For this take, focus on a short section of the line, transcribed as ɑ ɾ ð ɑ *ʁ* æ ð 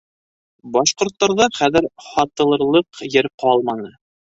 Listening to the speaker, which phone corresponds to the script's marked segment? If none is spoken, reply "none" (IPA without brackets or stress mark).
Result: χ